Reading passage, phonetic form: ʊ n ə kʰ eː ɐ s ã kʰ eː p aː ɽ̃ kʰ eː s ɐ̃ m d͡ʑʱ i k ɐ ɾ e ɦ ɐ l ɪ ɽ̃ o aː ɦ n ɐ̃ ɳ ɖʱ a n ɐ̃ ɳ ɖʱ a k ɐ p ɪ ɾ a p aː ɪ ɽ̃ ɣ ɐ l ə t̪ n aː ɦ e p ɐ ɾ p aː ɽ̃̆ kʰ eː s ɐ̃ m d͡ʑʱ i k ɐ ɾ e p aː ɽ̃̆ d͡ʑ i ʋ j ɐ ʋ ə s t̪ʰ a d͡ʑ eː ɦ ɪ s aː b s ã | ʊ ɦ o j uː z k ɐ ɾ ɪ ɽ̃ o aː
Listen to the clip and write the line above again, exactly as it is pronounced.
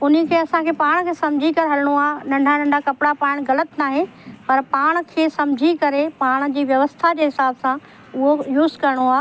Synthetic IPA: ʊ n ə kʰ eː ɐ s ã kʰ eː p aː ɽ̃ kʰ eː s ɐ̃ m d͡ʑʱ i k ɐ ɾ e ɦ ɐ l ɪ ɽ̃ o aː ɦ n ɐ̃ ɳ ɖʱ a n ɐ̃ ɳ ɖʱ a k ɐ p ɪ ɽ a p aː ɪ ɽ̃ ɣ ɐ l ə t̪ n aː ɦ e p ɐ ɾ p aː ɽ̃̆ kʰ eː s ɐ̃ m d͡ʑʱ i k ɐ ɾ e p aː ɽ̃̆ d͡ʑ iː ʋ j ɐ ʋ ə s t̪ʰ a d͡ʑ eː ɦ ɪ s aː b s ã | ʊ ɦ o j uː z k ɐ ɾ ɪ ɽ̃ o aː